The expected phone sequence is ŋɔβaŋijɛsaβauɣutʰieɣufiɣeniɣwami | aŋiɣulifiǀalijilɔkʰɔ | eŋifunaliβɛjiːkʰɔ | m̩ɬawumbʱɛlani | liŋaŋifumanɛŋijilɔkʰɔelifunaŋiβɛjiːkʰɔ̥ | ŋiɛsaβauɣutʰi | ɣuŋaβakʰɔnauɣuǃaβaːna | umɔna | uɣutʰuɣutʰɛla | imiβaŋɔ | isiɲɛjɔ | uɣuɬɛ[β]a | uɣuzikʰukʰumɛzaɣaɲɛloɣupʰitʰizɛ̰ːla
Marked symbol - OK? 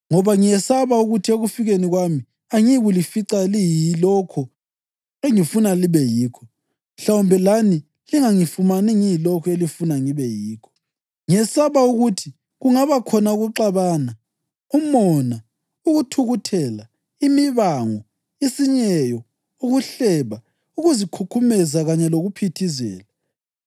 yes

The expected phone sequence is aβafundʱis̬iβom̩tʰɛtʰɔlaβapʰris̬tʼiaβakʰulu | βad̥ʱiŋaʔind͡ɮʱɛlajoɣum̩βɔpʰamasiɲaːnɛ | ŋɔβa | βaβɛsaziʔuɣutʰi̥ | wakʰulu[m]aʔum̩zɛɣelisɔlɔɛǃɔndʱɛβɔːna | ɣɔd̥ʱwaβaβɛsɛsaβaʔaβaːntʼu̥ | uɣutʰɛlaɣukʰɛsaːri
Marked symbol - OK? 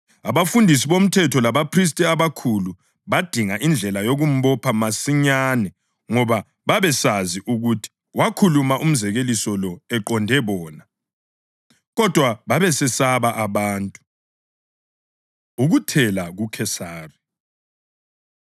yes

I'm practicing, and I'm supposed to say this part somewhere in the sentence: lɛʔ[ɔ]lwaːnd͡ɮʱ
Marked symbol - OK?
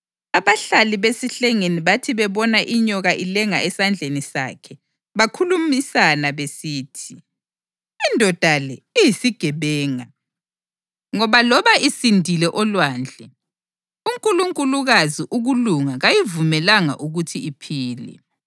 yes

